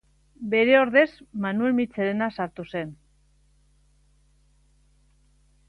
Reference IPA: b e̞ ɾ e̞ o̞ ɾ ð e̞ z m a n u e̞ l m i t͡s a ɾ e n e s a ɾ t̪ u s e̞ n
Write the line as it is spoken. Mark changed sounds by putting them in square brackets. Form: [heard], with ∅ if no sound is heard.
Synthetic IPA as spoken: b e̞ ɾ e̞ o̞ ɾ ð e̞ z m a n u e̞ l m i t͡s [e] ɾ e n [a] s a ɾ t̪ u s e̞ n